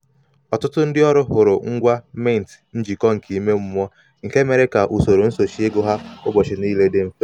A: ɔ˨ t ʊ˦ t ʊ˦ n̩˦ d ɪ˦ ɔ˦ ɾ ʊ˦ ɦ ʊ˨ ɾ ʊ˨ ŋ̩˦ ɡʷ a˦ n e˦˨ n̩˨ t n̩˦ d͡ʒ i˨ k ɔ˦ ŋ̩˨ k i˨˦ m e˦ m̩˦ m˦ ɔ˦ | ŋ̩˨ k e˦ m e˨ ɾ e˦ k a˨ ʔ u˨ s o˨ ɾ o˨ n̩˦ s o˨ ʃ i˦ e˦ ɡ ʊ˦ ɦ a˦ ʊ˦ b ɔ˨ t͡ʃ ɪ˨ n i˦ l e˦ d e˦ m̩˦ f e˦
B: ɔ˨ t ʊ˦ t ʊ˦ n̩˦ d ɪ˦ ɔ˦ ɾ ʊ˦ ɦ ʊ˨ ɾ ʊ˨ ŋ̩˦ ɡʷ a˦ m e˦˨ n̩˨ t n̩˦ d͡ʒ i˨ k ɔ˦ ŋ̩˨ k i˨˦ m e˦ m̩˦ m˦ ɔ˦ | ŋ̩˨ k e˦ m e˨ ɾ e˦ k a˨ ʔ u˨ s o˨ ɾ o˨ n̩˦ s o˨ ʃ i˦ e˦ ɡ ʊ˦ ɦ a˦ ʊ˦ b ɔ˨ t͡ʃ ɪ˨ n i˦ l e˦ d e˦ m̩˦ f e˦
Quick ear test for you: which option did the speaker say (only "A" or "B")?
B